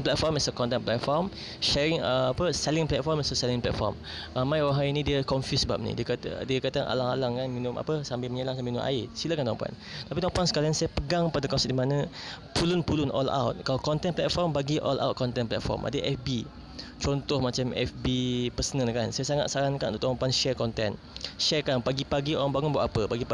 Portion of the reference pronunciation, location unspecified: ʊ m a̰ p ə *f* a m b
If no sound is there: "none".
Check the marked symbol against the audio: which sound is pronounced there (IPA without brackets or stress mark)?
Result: s